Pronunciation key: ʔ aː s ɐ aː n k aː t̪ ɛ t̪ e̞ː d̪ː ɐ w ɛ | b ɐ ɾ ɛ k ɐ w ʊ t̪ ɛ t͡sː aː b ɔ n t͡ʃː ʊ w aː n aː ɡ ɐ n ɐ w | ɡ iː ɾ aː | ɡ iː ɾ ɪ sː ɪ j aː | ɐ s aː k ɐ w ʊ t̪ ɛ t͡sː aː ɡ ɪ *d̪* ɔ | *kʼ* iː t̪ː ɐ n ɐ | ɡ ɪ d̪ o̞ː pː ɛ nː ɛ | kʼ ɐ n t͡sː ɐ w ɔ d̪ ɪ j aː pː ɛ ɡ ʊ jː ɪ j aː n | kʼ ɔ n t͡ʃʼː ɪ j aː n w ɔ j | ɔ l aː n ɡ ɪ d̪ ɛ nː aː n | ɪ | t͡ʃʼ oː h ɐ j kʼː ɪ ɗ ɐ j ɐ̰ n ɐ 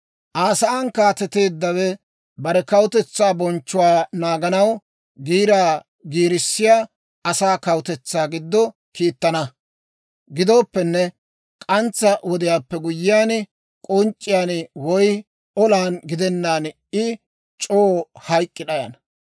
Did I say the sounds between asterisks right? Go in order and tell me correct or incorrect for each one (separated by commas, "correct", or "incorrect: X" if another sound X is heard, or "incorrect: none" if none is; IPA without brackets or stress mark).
incorrect: d̪ː, incorrect: k